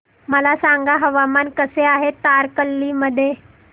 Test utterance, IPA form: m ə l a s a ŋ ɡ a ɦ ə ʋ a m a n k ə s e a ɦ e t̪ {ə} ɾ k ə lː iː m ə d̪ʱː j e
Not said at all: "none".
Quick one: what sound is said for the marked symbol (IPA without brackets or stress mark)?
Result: a